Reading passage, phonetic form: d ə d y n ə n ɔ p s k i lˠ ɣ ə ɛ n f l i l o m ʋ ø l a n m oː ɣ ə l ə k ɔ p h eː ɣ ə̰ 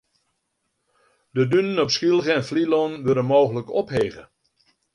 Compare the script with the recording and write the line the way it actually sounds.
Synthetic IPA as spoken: d ə d y n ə n ɔ p s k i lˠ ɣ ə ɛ n f l i l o n ʋ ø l ə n m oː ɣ ə l ə k ɔ p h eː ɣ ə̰